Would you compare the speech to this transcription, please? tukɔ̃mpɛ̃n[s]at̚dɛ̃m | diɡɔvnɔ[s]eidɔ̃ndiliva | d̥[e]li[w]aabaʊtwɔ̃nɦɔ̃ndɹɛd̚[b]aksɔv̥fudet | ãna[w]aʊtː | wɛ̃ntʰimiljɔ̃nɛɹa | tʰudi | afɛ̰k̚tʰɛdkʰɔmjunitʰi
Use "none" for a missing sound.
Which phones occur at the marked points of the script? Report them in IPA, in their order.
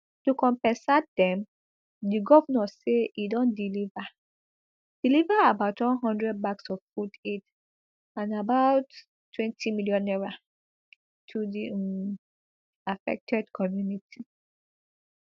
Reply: s, s, i, v, b, b

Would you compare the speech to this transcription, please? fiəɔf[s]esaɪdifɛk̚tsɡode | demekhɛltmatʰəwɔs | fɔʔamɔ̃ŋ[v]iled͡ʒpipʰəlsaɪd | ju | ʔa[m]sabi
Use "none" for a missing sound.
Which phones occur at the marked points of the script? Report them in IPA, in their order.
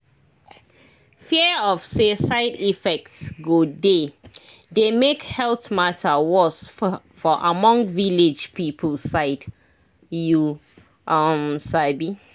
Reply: s, v, m

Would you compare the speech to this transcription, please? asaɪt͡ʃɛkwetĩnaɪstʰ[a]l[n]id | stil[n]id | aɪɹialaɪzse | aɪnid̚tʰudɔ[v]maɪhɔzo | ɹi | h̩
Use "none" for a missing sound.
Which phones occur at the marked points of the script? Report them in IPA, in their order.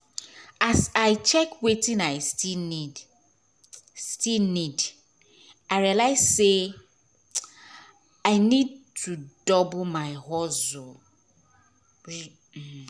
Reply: i, n, n, b

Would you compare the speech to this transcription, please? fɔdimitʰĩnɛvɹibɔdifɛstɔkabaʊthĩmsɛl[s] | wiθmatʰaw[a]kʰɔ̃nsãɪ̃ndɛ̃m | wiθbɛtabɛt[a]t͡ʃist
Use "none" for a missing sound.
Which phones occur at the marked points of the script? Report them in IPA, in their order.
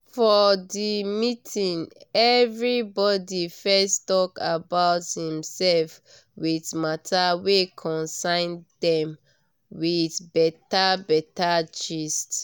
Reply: f, e, a

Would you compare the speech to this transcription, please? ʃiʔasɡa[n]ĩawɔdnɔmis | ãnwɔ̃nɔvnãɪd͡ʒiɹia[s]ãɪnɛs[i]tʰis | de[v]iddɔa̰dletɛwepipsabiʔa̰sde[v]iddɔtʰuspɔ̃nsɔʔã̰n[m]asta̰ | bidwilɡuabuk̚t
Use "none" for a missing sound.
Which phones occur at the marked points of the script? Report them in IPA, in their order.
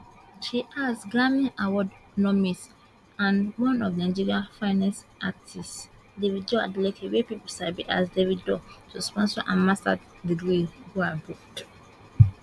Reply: m, f, a, v, v, m

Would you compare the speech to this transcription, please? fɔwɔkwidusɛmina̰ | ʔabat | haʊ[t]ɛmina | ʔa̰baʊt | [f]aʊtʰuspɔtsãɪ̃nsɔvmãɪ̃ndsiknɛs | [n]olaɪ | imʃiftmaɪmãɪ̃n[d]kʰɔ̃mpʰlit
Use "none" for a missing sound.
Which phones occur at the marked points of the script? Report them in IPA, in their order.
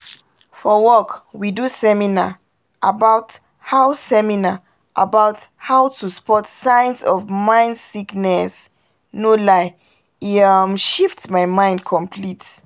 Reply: s, h, n, d

